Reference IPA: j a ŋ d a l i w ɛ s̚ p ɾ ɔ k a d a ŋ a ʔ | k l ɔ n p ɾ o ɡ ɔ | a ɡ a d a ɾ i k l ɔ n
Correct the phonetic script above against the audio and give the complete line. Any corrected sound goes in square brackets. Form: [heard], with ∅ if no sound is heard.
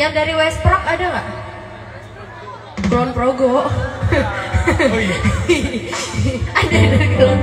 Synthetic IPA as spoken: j a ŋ d a [ɾ] i w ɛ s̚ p ɾ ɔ k a d a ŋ a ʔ | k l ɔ n p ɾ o ɡ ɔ | a [d] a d a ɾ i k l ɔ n